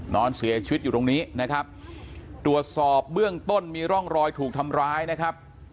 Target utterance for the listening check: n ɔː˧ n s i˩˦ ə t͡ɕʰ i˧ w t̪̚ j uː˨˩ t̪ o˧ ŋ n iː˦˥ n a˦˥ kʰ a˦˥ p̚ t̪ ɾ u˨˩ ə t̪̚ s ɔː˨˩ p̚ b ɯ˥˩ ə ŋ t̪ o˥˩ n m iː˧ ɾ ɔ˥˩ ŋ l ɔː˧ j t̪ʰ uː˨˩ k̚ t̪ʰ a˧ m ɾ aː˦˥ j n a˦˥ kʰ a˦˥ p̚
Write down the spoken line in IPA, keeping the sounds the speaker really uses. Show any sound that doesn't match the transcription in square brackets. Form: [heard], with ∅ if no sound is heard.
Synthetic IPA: n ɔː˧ n s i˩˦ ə t͡ɕʰ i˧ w t̪̚ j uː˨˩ t̪ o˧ ŋ n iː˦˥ n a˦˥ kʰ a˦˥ p̚ t̪ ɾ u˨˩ ə t̪̚ s ɔː˨˩ p̚ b ɯ˥˩ ə ŋ t̪ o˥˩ n m iː˧ ɾ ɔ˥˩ ŋ [ɾ] ɔː˧ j t̪ʰ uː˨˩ k̚ t̪ʰ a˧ m ɾ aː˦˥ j n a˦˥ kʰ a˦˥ p̚